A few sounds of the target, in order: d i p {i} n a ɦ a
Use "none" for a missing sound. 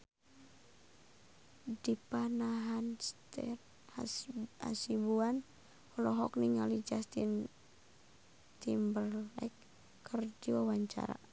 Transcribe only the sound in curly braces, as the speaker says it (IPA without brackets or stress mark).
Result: a